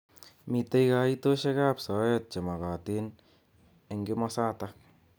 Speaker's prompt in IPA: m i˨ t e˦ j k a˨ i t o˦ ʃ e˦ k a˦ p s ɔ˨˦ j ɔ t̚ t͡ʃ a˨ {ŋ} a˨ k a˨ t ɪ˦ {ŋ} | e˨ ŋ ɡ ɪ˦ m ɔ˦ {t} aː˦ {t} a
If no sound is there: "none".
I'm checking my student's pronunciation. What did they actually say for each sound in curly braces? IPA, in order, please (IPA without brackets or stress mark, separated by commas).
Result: m, n, s, t